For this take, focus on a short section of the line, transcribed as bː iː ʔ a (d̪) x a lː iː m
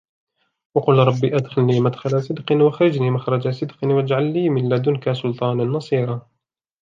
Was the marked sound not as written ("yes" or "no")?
no